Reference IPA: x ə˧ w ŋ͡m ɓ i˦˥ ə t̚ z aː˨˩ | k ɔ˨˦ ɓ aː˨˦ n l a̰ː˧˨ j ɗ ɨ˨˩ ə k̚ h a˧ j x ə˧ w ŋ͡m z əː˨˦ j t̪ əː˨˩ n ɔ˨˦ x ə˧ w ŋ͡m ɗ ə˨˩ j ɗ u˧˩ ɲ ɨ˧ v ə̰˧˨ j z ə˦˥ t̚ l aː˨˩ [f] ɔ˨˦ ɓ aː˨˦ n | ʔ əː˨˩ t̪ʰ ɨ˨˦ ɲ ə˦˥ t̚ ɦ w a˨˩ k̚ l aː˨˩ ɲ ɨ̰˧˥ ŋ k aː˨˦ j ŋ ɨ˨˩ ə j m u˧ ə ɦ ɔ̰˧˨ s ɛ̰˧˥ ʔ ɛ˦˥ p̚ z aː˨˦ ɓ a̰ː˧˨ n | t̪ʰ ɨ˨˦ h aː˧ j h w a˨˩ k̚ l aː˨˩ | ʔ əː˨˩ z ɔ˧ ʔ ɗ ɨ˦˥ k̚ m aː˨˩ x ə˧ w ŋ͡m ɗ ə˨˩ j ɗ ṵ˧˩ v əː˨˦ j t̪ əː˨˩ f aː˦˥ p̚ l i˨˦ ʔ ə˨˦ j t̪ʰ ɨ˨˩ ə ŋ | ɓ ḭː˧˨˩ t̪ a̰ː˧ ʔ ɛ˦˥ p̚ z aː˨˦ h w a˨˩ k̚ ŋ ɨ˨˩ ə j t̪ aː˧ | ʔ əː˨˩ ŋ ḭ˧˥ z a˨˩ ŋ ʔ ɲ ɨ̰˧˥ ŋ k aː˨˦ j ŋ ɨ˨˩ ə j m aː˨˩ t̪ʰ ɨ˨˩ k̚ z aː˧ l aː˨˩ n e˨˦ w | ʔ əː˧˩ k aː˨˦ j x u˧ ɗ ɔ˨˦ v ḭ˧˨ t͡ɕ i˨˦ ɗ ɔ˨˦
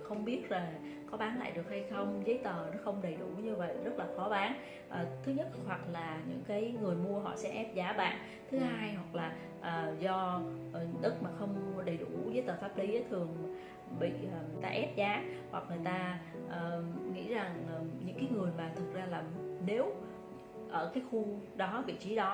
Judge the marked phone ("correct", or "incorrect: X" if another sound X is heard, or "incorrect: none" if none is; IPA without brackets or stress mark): incorrect: x